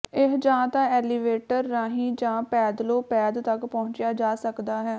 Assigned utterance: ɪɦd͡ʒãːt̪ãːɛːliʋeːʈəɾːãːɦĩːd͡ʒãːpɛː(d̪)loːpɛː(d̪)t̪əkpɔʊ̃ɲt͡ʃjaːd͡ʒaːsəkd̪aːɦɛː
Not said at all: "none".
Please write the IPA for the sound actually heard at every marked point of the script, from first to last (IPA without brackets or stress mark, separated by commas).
d̪, d̪